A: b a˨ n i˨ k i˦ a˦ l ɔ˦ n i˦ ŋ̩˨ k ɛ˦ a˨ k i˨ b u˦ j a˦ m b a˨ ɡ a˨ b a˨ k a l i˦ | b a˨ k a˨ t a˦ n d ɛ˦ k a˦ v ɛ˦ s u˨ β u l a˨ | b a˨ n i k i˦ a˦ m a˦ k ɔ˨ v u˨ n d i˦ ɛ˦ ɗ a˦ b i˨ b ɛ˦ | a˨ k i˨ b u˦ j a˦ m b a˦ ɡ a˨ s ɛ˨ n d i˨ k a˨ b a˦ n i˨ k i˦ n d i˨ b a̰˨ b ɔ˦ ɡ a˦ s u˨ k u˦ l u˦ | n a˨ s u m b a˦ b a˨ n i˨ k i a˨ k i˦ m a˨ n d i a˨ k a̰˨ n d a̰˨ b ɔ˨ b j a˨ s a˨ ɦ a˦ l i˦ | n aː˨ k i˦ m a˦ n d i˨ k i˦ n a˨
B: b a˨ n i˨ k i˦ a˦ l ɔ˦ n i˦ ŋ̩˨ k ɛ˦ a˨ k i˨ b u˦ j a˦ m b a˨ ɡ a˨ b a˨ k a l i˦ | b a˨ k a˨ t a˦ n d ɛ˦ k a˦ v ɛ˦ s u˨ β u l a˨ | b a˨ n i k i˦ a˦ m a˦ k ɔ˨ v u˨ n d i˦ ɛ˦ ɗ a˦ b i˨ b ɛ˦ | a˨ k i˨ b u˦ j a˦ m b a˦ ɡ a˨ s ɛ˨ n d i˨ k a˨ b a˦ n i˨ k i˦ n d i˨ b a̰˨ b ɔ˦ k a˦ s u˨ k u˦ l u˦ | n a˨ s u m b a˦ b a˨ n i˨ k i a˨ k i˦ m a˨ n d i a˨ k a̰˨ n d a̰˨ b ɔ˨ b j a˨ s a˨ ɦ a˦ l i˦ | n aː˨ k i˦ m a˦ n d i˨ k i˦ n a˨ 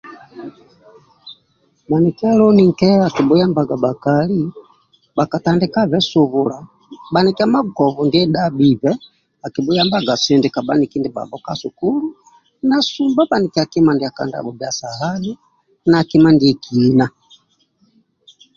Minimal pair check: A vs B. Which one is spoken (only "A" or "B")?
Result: B